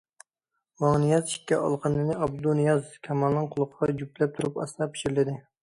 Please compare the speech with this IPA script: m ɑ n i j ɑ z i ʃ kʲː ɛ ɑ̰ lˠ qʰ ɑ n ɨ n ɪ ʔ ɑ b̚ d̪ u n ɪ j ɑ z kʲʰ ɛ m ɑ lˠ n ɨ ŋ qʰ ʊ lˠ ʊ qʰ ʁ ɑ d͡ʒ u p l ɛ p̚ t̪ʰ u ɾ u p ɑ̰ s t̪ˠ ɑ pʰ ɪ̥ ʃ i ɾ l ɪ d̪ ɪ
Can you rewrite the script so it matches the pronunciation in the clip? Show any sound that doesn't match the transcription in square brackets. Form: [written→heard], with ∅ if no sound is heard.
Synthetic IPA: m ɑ n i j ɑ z i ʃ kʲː ɛ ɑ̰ lˠ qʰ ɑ n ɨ n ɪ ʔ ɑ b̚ d̪ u n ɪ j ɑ z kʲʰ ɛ m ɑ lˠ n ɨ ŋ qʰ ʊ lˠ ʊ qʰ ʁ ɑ d͡ʒ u p l ɛ p̚ t̪ʰ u ɾ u p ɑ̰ s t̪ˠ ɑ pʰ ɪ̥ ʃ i ɾ l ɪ d̪ ɪ

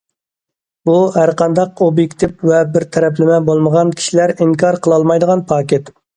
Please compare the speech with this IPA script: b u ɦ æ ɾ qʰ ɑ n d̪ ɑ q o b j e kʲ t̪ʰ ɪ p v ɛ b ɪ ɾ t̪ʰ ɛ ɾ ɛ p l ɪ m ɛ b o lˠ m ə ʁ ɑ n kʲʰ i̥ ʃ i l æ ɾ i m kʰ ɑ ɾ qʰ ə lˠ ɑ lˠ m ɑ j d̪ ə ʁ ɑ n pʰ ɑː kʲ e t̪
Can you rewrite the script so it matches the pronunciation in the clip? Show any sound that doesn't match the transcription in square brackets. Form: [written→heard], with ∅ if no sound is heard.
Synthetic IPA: b u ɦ æ ɾ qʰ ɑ n d̪ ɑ q o b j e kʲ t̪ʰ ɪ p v ɛ b ɪ ɾ t̪ʰ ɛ ɾ ɛ p l ɪ m ɛ b o lˠ m ə ʁ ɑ n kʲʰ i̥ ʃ i l æ ɾ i [m→ŋ] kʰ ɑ ɾ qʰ ə lˠ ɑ lˠ m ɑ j d̪ ə ʁ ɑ n pʰ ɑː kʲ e t̪

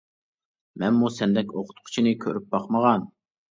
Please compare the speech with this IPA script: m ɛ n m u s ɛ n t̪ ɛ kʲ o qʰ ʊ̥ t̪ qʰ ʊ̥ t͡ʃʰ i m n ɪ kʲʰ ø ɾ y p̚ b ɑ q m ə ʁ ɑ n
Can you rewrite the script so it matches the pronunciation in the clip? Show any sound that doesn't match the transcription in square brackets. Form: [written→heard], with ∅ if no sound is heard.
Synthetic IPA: m ɛ n m u s ɛ n [t̪→d̪] ɛ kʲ o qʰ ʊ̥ t̪ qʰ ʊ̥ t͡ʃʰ i [m→∅] n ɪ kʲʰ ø ɾ y p̚ b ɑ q m ə ʁ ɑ n

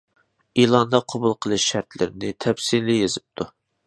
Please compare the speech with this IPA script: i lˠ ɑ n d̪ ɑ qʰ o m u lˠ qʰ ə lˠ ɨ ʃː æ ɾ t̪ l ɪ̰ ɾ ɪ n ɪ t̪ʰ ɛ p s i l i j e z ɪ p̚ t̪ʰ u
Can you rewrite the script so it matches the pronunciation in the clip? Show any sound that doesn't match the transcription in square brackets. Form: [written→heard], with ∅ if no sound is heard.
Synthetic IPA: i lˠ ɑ n d̪ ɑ qʰ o [m→b] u lˠ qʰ ə lˠ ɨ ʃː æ ɾ t̪ l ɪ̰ ɾ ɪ n ɪ t̪ʰ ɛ p s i l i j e z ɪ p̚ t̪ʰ u

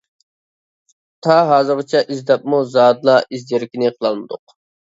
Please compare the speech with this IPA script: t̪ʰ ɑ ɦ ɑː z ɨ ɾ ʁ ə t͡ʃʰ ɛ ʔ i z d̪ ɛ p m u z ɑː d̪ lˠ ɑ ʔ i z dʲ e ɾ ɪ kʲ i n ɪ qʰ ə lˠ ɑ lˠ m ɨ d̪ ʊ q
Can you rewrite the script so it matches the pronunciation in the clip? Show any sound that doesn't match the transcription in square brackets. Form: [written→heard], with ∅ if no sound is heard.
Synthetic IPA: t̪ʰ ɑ ɦ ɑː z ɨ ɾ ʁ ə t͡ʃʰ ɛ ʔ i z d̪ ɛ p m u z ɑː d̪ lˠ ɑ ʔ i z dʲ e ɾ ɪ kʲ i n ɪ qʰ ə lˠ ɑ lˠ m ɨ d̪ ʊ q

